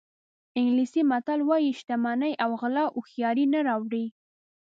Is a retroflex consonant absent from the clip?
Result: no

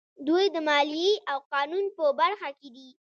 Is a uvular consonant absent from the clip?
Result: no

